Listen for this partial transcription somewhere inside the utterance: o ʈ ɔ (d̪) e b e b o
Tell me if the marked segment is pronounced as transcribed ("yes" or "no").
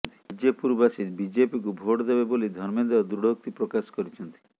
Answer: yes